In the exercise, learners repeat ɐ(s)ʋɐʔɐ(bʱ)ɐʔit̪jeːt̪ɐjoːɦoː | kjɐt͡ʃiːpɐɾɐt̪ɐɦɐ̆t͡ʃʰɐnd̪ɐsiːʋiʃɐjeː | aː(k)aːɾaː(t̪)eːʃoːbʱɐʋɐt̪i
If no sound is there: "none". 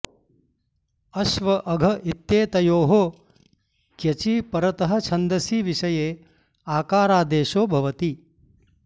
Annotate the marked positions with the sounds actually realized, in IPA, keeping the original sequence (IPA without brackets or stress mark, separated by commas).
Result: ʃ, ɡʱ, k, d̪